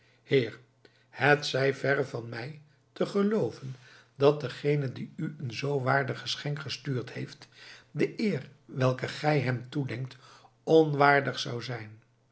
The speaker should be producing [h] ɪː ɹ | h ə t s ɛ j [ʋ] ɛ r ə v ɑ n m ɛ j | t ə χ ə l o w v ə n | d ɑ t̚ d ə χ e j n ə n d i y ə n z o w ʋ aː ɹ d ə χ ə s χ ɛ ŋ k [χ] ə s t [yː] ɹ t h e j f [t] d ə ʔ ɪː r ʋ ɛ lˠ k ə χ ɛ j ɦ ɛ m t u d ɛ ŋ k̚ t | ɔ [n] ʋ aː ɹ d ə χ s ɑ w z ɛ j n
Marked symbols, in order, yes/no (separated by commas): yes, no, yes, yes, yes, yes